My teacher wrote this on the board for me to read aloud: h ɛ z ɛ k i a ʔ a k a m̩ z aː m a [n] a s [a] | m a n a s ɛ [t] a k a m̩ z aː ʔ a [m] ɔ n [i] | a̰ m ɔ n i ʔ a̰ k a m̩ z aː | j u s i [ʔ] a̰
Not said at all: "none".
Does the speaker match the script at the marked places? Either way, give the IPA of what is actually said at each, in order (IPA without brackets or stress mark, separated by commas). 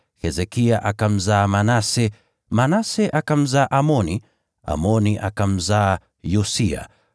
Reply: n, ɛ, ʔ, m, i, none